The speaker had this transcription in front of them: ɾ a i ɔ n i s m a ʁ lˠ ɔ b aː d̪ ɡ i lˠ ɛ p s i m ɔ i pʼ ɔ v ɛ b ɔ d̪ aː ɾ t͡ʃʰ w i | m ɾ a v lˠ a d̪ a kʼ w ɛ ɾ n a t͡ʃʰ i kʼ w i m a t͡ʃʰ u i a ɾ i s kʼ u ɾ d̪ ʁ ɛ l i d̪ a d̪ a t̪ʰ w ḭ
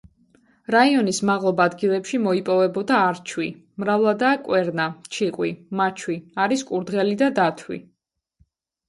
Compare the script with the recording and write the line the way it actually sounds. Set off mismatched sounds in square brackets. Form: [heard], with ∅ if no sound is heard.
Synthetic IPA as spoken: ɾ a i ɔ n i s m a ʁ lˠ ɔ b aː d̪ ɡ i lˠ ɛ p [ʃ] i m ɔ i pʼ ɔ v ɛ b ɔ d̪ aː ɾ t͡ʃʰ w i | m ɾ a v lˠ a d̪ a kʼ w ɛ ɾ n a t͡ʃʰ i [qʼ] w i m a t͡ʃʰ [w] i a ɾ i s kʼ u ɾ d̪ ʁ ɛ l i d̪ a d̪ a t̪ʰ w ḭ